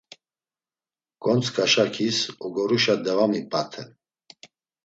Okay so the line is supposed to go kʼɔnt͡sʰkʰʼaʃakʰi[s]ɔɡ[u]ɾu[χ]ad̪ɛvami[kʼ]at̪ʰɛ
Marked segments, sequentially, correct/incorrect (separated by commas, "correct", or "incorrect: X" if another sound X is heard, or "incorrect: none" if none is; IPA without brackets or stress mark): correct, incorrect: ɔ, incorrect: ʃ, incorrect: pʼ